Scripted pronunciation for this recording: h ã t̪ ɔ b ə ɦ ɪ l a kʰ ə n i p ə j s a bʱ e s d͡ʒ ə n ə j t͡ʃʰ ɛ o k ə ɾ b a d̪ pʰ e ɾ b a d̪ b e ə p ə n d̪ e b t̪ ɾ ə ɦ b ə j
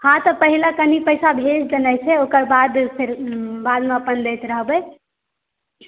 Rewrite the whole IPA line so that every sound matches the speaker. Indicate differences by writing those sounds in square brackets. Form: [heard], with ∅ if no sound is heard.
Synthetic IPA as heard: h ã t̪ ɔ [p] ə ɦ [i] l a [k] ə n i p ə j s a bʱ e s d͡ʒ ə n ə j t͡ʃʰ ɛ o k ə ɾ b a d̪ pʰ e ɾ b a d̪ [m] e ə p ə n d̪ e [∅] t̪ ɾ ə ɦ b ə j